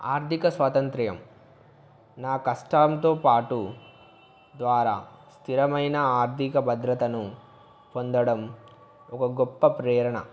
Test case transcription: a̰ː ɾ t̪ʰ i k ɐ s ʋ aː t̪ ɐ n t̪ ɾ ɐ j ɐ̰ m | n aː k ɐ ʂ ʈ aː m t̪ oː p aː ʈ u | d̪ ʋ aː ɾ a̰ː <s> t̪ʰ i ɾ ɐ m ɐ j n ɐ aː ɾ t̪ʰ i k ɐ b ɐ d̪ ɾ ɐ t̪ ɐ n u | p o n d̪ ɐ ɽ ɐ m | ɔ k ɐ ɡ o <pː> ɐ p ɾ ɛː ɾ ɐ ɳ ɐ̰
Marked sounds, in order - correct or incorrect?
correct, correct

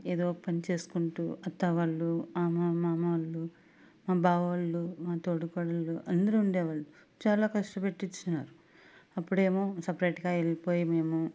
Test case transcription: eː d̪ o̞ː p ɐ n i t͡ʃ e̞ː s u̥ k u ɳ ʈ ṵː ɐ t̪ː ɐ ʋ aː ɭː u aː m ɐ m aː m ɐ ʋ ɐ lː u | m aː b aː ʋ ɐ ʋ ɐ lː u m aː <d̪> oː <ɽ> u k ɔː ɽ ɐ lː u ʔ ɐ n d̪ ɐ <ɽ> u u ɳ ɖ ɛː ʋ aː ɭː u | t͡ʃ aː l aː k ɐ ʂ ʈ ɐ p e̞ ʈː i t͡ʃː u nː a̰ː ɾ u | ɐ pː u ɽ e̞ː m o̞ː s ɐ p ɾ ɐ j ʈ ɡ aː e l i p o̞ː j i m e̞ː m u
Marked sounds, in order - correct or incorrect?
incorrect, correct, incorrect

